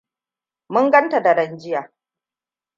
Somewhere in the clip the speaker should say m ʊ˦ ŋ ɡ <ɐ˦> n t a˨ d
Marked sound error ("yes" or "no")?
no